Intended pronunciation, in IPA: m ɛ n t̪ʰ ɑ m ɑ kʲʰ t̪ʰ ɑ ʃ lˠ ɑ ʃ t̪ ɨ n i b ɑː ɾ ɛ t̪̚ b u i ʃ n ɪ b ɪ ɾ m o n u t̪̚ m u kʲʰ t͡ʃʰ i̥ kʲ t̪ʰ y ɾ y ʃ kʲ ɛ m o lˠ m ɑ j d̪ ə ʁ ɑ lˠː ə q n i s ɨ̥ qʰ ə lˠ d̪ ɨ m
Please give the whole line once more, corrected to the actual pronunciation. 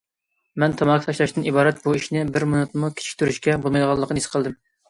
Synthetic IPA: m ɛ n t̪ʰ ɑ m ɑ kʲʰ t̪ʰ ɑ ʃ lˠ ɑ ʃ t̪ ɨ n i b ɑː ɾ ɛ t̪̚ b u i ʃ n ɪ b ɪ ɾ m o n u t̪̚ m u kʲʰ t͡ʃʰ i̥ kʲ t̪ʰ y ɾ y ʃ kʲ ɛ b o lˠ m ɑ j d̪ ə ʁ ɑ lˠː ə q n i s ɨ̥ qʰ ə lˠ d̪ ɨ m